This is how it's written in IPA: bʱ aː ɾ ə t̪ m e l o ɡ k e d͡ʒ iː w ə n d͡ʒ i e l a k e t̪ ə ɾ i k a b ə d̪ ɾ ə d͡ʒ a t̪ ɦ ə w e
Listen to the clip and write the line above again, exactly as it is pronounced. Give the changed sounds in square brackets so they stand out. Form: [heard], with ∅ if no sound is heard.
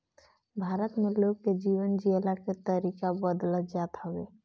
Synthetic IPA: bʱ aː ɾ ə t̪ m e l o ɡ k e d͡ʒ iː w ə n d͡ʒ i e l a k e t̪ ə ɾ i k a b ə d̪ [l] ə d͡ʒ a t̪ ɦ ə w e